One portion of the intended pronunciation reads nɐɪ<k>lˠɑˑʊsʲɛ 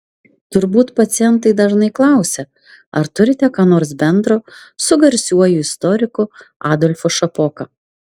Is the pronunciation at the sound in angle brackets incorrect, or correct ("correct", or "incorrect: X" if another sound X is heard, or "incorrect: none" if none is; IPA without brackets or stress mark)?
correct